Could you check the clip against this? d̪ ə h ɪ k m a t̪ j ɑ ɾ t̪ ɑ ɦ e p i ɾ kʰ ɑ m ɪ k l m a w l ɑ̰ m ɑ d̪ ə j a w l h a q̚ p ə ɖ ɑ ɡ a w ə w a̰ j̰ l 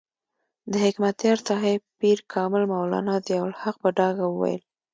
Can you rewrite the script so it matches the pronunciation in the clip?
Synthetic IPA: d̪ ə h ɪ k m a t̪ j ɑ ɾ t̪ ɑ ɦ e p i ɾ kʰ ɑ m ɪ l m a w l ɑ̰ n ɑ d̪ ə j a w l h a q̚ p ə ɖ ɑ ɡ a w ə w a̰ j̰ l